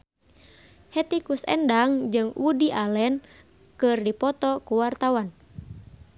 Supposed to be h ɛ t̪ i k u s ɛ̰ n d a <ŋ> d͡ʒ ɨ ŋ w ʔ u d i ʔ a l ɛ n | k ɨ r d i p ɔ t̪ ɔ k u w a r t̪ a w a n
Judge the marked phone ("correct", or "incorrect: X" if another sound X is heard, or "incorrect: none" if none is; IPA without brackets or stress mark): correct